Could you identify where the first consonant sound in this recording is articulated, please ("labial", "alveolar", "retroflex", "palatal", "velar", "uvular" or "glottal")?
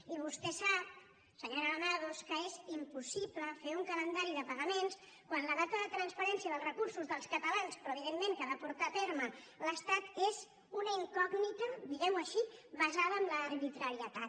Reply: labial